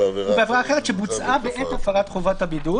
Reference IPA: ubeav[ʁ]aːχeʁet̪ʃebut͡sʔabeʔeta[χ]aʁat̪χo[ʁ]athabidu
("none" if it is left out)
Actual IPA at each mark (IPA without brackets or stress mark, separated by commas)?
ʁ, f, v